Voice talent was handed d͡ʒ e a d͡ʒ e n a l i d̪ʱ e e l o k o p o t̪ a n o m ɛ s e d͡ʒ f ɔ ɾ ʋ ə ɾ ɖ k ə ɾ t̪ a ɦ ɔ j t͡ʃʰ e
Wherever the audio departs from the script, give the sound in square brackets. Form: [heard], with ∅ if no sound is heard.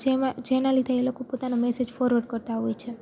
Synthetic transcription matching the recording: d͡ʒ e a d͡ʒ e n a l i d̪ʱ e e l o k o p o t̪ a n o m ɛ s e d͡ʒ f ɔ ɾ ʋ ə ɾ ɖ k ə ɾ t̪ a ɦ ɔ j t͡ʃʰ e

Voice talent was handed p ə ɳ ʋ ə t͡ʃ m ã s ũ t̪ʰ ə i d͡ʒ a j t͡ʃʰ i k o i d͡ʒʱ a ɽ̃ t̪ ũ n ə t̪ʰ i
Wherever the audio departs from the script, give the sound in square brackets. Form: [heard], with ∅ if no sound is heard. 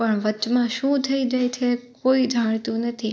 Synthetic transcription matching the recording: p ə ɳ ʋ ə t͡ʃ m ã [ʃ] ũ t̪ʰ ə i d͡ʒ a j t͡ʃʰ [e] k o i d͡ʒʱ a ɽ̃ t̪ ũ n ə t̪ʰ i

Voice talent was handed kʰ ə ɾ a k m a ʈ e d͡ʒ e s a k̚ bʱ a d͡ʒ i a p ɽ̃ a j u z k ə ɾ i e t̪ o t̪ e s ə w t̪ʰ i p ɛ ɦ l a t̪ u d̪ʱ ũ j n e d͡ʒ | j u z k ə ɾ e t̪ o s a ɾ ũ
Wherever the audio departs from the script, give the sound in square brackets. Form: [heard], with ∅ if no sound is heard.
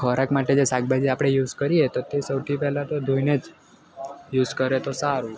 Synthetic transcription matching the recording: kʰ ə ɾ a k m a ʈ e d͡ʒ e s a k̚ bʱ a d͡ʒ i a p ɽ̃ [e] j u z k ə ɾ i e t̪ o t̪ e s ə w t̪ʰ i p ɛ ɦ l a t̪ [o] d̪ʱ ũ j n e d͡ʒ | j u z k ə ɾ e t̪ o s a ɾ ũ

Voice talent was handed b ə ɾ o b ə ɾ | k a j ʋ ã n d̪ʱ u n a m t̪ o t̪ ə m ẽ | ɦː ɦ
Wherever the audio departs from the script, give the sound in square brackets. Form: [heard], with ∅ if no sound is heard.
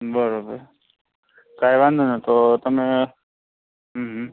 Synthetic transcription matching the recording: b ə ɾ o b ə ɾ | k a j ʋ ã n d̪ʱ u n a [∅] t̪ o t̪ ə m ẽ | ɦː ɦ

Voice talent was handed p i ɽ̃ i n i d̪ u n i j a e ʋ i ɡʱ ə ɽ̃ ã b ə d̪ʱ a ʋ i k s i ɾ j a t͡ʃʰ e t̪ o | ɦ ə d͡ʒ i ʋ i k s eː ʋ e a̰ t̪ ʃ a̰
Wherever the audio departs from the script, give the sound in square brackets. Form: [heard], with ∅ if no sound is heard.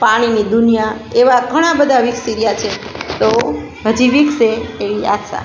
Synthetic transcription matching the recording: p [a] ɽ̃ i n i d̪ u n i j a e ʋ [a] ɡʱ ə ɽ̃ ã b ə d̪ʱ a ʋ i k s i ɾ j a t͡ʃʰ e t̪ o | ɦ ə d͡ʒ i ʋ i k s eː ʋ [i] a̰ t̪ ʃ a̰

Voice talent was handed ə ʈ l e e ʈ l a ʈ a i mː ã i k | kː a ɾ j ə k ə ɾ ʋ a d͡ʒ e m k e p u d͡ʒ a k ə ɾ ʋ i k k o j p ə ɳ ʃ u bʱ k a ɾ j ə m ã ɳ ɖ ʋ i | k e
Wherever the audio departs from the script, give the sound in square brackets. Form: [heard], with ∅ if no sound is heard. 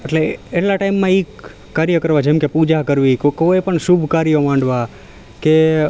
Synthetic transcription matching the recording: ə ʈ l e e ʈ l a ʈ a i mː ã i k | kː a ɾ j ə k ə ɾ ʋ a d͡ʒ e m k e p u d͡ʒ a k ə ɾ ʋ i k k o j p ə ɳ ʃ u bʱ k a ɾ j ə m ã ɳ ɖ ʋ [a] | k e

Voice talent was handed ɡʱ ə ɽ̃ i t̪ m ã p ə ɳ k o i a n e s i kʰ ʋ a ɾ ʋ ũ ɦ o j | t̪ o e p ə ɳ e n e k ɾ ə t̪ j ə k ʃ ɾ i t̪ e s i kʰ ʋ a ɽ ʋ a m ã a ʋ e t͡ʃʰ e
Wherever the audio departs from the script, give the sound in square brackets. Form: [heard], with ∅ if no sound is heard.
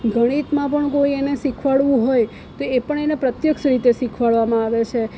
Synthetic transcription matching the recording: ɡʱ ə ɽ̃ i t̪ m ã p ə ɳ k o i [e] n e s i kʰ ʋ a [ɭ] ʋ ũ ɦ o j | t̪ o e p ə ɳ e n e [p] ɾ ə t̪ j ə k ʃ ɾ i t̪ e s i kʰ ʋ a [ɭ] ʋ a m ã a ʋ e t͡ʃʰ e

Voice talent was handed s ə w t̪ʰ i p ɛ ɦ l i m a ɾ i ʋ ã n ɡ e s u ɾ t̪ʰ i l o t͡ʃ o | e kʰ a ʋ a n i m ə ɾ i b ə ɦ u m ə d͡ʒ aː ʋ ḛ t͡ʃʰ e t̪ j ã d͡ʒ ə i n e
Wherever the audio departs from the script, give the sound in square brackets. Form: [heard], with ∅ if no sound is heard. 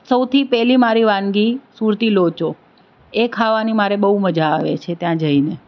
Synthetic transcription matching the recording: s ə w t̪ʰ i p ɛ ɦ l i m a ɾ i ʋ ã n ɡ [i] s u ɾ [t̪] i l o t͡ʃ o | e kʰ a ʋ a n i m [a] ɾ [e] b ə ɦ u m ə d͡ʒ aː ʋ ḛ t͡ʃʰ e t̪ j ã d͡ʒ ə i n e

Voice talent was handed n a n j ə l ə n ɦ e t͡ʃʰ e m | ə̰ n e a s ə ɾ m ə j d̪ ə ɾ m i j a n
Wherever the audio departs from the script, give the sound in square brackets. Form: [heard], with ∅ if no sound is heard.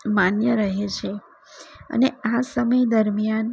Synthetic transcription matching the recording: [m] a n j ə [ɾ] ə [∅] ɦ e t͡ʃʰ e [∅] | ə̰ n e a s ə [∅] m ə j d̪ ə ɾ m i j a n

